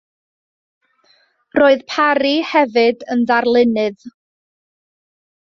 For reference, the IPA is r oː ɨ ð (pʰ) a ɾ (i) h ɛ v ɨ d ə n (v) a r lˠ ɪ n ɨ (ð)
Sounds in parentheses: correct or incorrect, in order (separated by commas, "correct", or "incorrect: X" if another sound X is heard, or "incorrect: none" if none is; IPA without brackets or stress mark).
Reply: correct, correct, incorrect: ð, correct